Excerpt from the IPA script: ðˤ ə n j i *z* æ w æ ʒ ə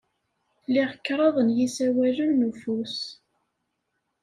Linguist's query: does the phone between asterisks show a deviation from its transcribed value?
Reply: yes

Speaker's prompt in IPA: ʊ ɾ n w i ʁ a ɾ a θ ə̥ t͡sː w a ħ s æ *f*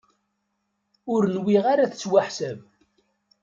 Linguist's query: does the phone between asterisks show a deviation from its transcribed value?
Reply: yes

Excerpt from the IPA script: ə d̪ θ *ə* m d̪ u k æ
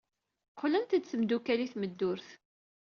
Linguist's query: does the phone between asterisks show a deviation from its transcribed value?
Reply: no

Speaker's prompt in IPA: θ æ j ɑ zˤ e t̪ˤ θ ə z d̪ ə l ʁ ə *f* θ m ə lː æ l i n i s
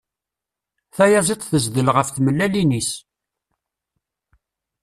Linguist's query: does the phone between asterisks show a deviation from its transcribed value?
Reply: no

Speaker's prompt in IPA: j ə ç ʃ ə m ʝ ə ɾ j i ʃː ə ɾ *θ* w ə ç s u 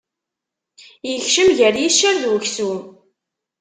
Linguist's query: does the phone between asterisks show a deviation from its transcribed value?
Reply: yes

